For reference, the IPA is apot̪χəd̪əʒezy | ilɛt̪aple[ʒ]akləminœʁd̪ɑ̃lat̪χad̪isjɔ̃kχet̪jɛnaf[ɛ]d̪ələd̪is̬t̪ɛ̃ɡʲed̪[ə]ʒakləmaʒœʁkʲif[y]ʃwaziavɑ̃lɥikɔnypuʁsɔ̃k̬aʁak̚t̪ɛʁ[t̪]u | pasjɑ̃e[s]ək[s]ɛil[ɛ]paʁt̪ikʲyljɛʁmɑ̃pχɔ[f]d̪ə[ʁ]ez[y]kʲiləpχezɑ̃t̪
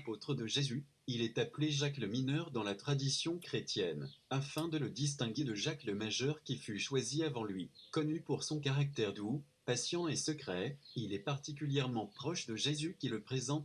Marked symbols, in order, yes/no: yes, no, yes, yes, no, yes, no, yes, no, no, yes

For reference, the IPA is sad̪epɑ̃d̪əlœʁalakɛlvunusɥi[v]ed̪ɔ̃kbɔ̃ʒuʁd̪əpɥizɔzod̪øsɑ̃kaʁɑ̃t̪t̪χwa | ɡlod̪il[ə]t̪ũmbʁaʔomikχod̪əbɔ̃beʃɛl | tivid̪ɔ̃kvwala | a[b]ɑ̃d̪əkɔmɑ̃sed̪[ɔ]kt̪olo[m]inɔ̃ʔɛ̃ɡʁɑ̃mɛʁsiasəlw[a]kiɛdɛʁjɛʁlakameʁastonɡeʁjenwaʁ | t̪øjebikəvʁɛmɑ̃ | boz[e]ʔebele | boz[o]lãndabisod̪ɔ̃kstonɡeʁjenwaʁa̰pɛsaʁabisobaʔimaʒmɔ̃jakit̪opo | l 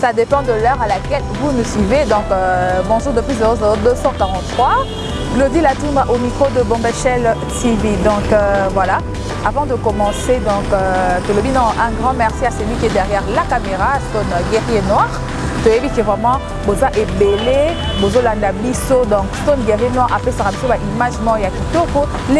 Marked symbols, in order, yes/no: yes, no, no, no, no, no, no, yes

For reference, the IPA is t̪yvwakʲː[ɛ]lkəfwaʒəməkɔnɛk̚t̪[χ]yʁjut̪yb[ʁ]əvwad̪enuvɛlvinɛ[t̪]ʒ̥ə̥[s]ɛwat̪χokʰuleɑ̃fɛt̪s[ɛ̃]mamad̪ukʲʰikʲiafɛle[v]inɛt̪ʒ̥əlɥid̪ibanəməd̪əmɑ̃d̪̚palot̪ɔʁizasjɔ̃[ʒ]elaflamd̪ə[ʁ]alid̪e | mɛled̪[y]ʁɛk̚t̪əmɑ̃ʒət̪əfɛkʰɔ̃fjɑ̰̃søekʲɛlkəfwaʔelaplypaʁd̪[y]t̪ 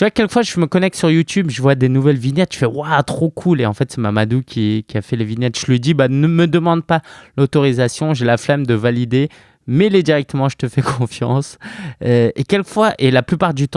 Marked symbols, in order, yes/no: yes, no, no, yes, no, no, yes, yes, no, no, yes

